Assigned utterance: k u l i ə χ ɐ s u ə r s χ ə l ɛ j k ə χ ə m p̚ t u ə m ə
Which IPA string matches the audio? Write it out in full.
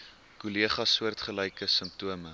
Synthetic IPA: k u l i ə χ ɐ s u ə r t χ ə l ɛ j k ə s ə m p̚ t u ə m ə